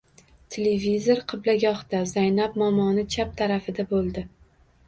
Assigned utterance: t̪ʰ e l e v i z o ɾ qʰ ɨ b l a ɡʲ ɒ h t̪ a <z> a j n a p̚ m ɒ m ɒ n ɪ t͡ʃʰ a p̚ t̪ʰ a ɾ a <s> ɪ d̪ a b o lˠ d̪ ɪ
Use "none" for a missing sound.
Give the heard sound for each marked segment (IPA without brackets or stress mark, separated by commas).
z, f